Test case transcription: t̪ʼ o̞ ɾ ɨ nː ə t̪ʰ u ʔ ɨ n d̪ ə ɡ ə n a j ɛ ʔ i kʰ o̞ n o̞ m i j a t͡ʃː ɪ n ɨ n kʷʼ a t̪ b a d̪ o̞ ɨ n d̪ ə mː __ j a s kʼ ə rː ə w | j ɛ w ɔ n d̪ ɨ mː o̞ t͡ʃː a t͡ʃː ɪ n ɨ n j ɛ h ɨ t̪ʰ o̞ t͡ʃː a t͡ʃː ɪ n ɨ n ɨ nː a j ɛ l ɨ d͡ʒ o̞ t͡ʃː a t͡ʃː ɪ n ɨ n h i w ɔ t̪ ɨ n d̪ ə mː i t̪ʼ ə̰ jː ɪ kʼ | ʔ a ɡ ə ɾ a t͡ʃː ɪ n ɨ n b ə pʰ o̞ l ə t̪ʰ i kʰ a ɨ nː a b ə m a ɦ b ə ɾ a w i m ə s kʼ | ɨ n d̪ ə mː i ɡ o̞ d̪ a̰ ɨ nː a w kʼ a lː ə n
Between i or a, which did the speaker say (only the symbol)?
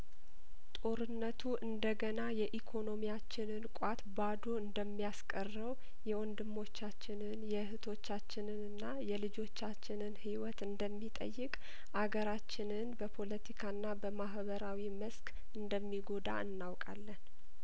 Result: i